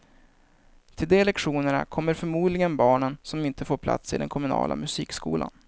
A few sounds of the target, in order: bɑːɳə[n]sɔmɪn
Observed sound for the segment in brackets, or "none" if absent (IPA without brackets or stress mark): n